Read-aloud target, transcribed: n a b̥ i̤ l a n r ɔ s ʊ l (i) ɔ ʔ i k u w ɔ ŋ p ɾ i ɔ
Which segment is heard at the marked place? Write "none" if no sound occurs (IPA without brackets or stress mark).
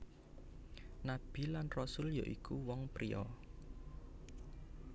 j